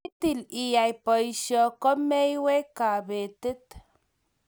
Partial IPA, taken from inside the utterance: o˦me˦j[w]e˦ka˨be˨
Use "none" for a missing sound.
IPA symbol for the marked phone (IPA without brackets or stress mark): w